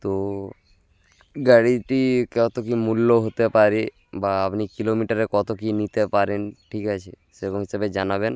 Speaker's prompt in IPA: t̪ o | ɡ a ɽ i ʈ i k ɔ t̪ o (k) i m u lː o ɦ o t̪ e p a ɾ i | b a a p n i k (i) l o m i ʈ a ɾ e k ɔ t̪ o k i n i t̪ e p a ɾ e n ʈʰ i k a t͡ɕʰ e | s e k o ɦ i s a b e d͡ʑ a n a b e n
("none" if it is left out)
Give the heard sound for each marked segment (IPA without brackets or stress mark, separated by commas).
k, i